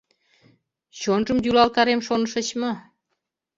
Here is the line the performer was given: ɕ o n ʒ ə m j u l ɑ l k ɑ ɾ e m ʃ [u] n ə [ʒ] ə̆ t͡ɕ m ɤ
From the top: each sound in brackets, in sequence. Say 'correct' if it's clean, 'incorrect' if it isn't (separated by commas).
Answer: incorrect, incorrect